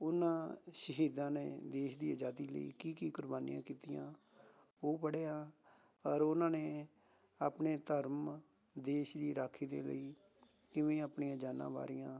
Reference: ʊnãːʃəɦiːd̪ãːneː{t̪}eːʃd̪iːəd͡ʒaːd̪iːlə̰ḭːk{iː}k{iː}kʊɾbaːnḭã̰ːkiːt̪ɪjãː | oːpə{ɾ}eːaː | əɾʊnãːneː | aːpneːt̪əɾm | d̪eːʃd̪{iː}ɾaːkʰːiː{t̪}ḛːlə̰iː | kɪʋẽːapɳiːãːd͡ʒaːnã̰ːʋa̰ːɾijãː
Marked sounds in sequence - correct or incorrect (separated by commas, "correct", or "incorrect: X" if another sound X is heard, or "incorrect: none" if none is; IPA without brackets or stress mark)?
incorrect: d̪, correct, correct, incorrect: ɽ, correct, incorrect: d̪